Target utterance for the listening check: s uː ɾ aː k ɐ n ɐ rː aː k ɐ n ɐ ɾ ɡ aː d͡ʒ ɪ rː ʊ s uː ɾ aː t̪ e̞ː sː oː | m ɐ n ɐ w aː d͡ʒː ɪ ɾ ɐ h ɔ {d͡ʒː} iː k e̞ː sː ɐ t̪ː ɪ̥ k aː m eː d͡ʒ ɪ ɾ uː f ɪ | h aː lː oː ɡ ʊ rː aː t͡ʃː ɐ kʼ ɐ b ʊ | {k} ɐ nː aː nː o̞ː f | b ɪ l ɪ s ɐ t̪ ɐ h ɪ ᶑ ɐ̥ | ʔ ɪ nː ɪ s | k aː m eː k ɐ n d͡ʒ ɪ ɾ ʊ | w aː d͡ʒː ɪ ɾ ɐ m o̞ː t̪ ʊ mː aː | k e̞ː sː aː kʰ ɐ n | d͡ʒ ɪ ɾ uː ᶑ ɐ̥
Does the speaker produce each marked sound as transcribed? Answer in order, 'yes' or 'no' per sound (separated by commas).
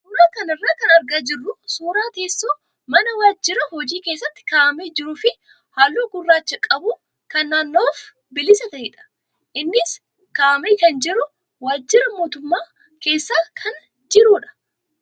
no, yes